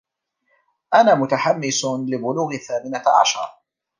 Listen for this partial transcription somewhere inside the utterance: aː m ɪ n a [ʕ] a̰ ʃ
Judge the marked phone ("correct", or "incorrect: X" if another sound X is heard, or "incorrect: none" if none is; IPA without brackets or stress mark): correct